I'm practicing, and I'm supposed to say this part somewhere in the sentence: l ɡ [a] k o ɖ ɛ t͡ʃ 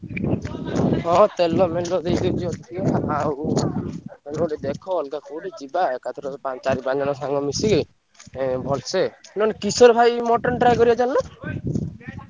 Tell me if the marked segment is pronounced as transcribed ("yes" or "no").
yes